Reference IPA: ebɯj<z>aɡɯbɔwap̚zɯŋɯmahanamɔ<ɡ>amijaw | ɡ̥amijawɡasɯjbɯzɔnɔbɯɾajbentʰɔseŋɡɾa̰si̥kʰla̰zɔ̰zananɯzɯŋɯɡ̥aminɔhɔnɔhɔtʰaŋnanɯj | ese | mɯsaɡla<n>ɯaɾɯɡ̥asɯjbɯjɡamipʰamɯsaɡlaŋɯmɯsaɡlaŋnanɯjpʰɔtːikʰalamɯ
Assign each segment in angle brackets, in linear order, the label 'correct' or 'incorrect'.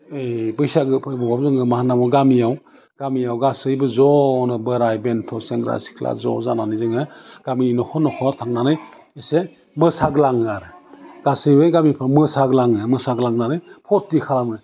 incorrect, correct, incorrect

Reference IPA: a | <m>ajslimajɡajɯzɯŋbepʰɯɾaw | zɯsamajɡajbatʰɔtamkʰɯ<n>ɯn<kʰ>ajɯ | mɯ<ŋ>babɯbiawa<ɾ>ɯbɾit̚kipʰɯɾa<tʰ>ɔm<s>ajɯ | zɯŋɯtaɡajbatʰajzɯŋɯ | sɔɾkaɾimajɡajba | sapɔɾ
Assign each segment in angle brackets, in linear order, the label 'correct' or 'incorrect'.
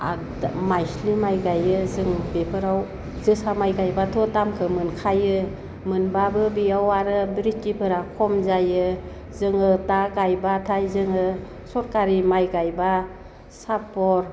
correct, incorrect, correct, incorrect, correct, incorrect, incorrect

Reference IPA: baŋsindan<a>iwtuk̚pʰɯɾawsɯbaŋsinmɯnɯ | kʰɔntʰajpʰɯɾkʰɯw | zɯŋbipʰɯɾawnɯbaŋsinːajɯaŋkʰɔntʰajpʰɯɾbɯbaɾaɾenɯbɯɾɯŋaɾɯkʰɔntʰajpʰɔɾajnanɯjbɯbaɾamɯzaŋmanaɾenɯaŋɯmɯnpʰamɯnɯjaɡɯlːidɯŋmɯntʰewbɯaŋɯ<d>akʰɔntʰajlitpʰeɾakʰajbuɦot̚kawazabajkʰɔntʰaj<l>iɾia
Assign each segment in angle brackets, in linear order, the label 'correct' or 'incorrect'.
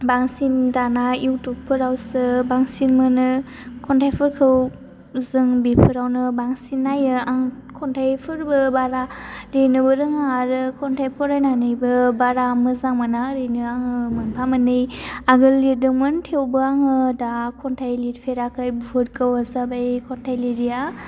correct, correct, correct

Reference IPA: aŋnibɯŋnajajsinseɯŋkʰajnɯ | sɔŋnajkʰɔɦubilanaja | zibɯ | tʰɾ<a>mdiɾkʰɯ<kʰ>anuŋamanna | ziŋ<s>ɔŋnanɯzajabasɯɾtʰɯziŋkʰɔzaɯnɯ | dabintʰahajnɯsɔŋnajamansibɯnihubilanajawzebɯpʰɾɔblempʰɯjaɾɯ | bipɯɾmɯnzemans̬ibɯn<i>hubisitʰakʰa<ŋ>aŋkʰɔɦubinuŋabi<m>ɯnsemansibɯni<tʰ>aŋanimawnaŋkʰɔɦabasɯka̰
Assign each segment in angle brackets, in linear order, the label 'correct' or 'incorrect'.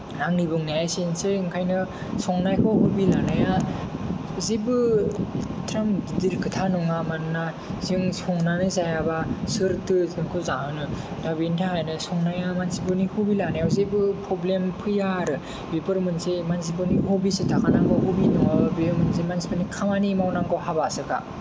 correct, incorrect, correct, correct, incorrect, correct, incorrect

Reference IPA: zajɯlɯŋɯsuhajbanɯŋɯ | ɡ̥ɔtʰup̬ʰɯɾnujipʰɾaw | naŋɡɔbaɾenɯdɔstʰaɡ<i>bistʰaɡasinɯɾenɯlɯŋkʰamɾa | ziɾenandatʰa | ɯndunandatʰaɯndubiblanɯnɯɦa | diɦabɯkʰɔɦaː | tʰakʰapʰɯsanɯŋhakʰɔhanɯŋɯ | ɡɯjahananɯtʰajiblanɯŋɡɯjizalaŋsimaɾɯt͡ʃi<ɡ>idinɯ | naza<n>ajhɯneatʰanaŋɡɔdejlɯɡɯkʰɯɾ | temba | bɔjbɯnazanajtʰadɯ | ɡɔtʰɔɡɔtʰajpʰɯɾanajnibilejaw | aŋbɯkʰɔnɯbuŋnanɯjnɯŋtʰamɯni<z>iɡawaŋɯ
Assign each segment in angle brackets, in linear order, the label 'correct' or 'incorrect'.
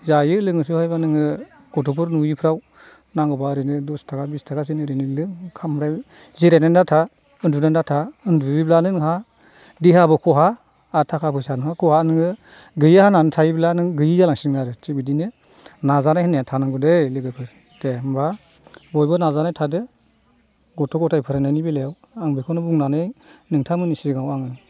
incorrect, incorrect, correct, incorrect

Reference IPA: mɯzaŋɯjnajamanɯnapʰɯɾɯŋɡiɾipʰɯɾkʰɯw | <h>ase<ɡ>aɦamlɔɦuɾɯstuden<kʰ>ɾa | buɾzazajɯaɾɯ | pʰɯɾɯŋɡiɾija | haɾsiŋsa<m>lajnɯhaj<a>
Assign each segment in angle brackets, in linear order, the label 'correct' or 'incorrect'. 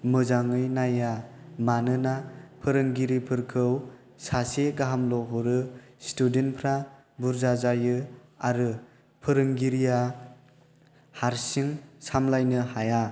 incorrect, correct, incorrect, correct, correct

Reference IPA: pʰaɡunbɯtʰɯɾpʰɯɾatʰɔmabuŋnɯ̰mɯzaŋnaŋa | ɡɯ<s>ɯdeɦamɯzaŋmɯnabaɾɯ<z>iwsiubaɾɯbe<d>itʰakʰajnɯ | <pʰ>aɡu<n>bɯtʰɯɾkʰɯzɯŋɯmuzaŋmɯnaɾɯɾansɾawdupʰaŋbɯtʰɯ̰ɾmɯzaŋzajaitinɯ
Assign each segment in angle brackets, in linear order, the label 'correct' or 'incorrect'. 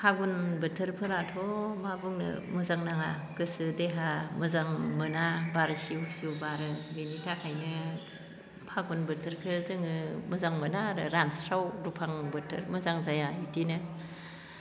correct, incorrect, incorrect, correct, correct

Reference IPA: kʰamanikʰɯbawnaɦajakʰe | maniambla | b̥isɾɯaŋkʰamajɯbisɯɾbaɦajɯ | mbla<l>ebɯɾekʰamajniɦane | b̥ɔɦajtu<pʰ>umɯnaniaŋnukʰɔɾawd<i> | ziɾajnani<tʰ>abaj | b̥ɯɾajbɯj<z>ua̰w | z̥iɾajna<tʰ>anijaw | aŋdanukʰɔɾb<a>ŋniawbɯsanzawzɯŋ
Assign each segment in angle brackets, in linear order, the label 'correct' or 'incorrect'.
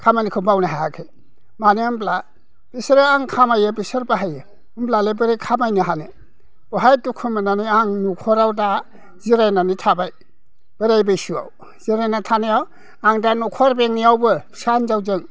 correct, incorrect, incorrect, correct, incorrect, correct, incorrect

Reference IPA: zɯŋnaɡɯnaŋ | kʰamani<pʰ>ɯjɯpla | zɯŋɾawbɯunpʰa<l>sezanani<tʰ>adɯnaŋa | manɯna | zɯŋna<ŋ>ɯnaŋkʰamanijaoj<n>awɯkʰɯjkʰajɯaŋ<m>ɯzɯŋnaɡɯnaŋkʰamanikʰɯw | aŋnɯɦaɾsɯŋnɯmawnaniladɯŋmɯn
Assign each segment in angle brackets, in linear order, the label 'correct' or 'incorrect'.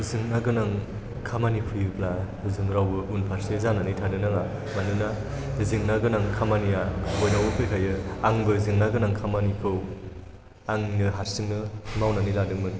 correct, incorrect, correct, incorrect, correct, incorrect

